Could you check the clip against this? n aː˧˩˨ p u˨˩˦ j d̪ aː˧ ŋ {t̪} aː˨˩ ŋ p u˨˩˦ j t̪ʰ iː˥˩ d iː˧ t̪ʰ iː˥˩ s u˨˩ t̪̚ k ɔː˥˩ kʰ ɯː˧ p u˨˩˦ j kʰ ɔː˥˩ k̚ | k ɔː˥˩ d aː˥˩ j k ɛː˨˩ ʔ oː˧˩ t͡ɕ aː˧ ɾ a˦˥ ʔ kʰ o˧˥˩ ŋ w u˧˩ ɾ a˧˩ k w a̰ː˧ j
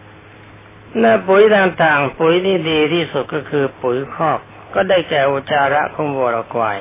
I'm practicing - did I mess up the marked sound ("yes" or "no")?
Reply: no